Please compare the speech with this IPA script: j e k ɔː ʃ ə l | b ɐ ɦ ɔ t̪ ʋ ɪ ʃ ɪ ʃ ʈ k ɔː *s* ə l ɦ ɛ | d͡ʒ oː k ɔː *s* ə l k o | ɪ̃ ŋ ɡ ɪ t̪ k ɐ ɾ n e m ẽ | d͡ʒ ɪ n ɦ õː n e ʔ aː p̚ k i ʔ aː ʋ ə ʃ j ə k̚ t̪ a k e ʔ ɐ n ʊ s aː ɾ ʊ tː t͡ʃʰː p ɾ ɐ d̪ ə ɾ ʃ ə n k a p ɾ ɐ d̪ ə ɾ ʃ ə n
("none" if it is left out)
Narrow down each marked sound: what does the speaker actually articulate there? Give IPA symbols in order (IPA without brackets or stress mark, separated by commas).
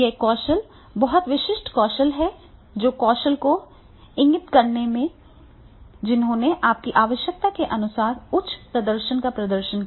ʃ, ʃ